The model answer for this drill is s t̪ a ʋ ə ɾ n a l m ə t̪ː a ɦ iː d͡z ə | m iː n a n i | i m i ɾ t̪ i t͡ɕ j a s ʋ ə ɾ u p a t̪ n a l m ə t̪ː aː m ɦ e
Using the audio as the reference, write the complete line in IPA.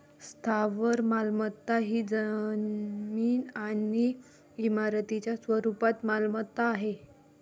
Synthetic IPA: s t̪ʰ a ʋ ə ɾ m a l m ə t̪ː a ɦ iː d͡z ə | m iː n a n i | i m a ɾ t̪ i t͡ɕ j a s ʋ ə ɾ u p a t̪ m a l m ə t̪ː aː ɦ e